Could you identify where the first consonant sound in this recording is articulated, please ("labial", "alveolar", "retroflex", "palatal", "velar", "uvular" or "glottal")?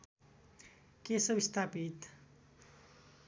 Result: velar